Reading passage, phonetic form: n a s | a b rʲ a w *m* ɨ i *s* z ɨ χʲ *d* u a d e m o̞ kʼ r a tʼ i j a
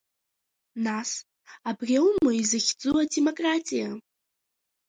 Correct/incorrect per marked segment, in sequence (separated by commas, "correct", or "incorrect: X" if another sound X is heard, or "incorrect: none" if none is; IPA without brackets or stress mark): correct, incorrect: none, incorrect: d͡z